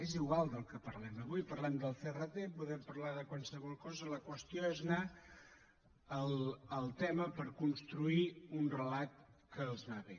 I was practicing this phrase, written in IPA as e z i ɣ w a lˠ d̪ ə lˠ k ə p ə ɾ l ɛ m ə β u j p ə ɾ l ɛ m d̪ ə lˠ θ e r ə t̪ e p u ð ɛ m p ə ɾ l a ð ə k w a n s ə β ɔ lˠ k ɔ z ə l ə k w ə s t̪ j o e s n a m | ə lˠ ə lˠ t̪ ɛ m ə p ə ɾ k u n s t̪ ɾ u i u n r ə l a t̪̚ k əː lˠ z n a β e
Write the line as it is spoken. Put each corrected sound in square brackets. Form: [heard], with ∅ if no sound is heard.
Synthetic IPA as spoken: e z i ɣ w a lˠ d̪ ə lˠ k ə p ə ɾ l ɛ m ə β u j p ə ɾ l ɛ m d̪ ə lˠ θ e r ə t̪ e p u ð ɛ m p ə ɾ l a ð ə k w a n s ə β ɔ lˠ k ɔ z ə l ə k w ə s t̪ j o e [z] n a [∅] | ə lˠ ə lˠ t̪ ɛ m ə p ə ɾ k u n s t̪ ɾ u i u n r ə l a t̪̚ k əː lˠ z n a β e